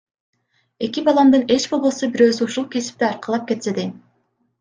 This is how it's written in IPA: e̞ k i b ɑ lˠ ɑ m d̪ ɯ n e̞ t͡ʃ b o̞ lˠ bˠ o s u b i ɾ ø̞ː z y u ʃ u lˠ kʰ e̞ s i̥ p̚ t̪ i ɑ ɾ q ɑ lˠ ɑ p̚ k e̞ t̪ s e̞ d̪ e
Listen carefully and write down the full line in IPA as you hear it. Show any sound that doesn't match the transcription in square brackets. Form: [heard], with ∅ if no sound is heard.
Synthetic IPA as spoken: e̞ k i b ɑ lˠ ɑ m d̪ ɯ n e̞ t͡ʃ b o̞ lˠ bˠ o s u b i ɾ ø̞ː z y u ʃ u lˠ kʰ e̞ s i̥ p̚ t̪ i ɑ ɾ q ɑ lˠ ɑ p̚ k e̞ t̪ s e̞ d̪ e